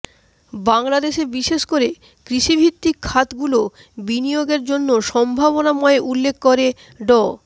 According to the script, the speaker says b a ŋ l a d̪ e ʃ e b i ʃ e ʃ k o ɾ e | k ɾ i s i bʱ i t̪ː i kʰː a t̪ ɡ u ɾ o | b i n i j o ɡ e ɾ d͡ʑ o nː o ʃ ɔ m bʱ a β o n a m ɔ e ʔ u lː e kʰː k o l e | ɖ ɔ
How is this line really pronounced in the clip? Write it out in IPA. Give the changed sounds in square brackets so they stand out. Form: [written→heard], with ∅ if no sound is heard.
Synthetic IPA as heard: b a ŋ l a d̪ e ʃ e b i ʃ e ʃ k o ɾ e | k ɾ i [s→ʃ] i bʱ i t̪ː i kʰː a t̪ ɡ u [ɾ→l] o | b i n i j o ɡ e ɾ d͡ʑ o nː o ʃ ɔ m bʱ a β o n a m ɔ e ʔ u lː e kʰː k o [l→ɾ] e | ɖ ɔ